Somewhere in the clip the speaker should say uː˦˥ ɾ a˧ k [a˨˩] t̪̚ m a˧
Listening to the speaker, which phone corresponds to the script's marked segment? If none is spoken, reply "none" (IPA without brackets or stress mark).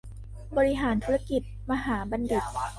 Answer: i˨˩